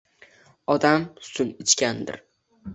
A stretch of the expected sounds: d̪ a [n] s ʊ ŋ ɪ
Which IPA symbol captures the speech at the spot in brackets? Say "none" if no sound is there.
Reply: m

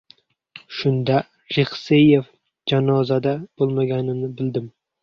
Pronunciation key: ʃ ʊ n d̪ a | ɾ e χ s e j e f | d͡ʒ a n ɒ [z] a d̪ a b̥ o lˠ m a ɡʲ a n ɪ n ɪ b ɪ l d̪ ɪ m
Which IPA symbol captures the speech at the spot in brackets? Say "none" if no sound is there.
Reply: z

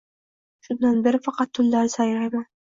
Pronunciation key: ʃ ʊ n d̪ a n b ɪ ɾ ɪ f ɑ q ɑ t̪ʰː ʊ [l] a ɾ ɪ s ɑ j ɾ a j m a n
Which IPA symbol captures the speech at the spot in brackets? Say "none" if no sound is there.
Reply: lː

